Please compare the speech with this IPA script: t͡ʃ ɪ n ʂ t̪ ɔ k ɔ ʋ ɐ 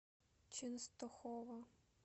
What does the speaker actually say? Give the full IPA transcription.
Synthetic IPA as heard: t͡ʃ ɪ n s t̪ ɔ x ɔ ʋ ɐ